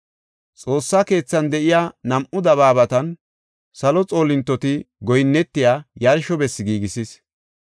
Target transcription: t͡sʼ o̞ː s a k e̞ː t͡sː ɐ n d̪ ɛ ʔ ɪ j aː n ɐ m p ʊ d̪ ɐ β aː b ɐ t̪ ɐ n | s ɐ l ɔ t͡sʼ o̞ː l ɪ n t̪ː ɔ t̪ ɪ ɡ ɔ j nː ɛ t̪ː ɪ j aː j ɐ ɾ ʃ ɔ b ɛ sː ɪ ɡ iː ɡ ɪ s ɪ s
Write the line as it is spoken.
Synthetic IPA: t͡sʼ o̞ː sː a k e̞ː t͡sː ɐ n d̪ ɛ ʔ ɪ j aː n ɐ m ʔ ʊ d̪ ɐ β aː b ɐ t̪ ɐ n | s ɐ l ɔ t͡sʼ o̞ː l ɪ n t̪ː ɔ t̪ ɪ ɡ ɔ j nː ɛ t̪ː ɪ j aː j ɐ ɾ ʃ ɔ b ɛ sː ɪ ɡ iː ɡ ɪ s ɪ s